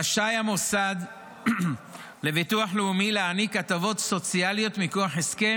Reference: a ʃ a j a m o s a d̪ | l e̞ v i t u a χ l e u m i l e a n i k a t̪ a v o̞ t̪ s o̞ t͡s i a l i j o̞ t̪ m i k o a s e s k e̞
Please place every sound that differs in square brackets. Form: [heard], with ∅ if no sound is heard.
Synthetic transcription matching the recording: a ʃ a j a m o s a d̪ | l e̞ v i t u a [ħ] l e u m i l e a n i k a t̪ a v o̞ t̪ s o̞ t͡s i a l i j o̞ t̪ m i k o a [ħ] e s k e̞